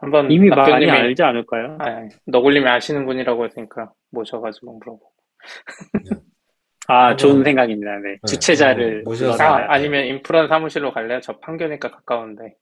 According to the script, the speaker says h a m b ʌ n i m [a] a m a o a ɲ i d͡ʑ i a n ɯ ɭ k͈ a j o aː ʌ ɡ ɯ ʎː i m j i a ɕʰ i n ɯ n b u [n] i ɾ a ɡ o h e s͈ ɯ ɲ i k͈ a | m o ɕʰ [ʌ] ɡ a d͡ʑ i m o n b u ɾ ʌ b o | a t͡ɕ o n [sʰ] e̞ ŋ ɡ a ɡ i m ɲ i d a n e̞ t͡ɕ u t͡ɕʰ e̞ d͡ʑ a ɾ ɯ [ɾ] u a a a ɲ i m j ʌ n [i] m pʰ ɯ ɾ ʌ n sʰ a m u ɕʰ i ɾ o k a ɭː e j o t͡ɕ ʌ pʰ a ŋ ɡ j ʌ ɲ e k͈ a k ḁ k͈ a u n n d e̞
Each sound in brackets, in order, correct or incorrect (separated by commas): incorrect, incorrect, correct, correct, incorrect, correct